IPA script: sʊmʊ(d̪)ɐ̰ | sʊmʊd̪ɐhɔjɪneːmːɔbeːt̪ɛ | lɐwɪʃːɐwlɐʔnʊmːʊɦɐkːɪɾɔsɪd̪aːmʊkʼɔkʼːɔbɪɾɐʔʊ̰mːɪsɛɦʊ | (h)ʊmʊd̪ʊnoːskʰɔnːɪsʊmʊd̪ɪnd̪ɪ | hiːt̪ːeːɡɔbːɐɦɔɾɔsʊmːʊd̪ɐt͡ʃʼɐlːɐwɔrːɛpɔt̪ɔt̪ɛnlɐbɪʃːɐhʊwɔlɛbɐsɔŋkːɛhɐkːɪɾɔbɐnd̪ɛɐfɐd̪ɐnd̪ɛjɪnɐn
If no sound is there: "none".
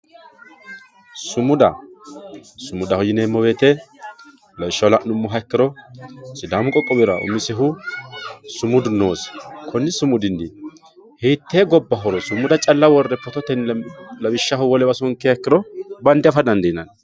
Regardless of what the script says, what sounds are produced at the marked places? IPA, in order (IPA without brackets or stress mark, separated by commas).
d̪, s